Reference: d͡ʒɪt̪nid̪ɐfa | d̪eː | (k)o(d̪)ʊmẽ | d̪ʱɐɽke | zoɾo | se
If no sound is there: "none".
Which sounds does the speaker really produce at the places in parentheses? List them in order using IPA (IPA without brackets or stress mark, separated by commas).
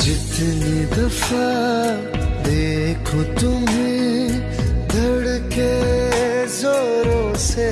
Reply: kʰ, t̪